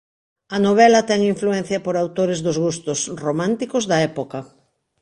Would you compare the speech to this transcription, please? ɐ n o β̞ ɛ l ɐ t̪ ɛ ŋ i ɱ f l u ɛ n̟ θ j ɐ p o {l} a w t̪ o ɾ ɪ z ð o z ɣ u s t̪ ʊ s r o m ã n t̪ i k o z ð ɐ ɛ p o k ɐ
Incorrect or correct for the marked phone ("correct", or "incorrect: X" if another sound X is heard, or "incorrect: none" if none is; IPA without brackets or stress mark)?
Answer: incorrect: ɾ